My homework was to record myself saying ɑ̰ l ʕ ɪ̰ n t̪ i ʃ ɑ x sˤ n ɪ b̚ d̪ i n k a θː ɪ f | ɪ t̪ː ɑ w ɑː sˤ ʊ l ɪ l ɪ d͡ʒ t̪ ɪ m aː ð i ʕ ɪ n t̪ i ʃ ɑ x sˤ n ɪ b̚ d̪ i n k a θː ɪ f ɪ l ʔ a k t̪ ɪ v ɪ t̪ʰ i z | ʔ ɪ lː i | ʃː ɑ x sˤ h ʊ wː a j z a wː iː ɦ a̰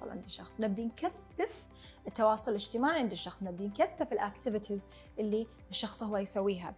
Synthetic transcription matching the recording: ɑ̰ l ʕ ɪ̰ n d̪ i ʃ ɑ x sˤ n ɪ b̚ d̪ i n k a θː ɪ f | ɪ t̪ː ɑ w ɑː sˤ ʊ l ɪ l ɪ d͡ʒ t̪ ɪ m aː ʕ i ʕ ɪ n d̪ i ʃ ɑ x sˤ n ɪ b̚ d̪ i n k a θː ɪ f ɪ l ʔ a k t̪ ɪ v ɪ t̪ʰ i z | ʔ ɪ lː i | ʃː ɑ x sˤ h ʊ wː a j s a wː iː ɦ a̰